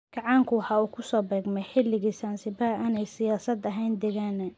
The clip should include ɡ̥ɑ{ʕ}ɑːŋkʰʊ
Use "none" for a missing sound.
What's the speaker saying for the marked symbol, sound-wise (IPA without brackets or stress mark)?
ʕ